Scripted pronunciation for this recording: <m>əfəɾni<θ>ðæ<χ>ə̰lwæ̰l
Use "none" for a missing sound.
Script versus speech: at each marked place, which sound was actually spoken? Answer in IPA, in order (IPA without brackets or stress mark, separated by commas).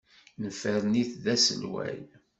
n, θ, s